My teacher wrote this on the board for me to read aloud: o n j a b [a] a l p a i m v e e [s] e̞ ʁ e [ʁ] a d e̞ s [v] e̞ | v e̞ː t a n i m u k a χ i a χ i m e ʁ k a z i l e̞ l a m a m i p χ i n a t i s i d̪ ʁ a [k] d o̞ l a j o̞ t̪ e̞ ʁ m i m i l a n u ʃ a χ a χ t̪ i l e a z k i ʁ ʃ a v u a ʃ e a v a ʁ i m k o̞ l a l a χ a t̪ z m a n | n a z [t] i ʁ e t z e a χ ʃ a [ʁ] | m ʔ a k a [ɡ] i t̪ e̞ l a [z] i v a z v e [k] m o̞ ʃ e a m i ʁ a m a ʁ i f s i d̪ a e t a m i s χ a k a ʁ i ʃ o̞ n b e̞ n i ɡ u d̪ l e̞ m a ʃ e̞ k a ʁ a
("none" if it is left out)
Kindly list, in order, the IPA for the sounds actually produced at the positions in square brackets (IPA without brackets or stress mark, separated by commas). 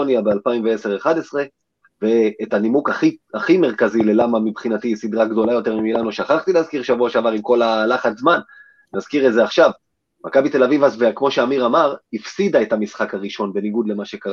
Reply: e, s, χ, ʁ, ɡ, k, v, b, v, k